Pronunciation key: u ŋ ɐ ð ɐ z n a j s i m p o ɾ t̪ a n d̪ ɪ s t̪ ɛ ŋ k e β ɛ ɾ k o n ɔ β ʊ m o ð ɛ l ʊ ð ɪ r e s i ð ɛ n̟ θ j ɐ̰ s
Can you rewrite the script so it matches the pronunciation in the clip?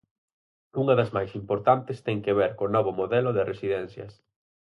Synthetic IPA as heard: u ŋ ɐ ð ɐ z m a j s i m p o ɾ t̪ a n t̪ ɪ s t̪ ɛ ŋ k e β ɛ ɾ k o n ɔ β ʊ m o ð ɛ l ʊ ð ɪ r e s i ð ɛ n̟ θ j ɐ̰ s